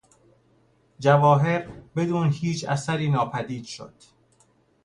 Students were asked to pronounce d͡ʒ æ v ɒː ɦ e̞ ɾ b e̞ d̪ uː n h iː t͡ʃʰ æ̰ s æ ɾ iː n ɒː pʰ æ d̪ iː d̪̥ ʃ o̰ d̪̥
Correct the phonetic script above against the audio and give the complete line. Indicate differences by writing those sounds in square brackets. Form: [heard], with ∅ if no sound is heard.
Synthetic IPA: d͡ʒ æ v ɒː ɦ e̞ ɾ b e̞ d̪ uː n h iː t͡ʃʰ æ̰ s æ ɾ iː n ɒː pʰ æ d̪ iː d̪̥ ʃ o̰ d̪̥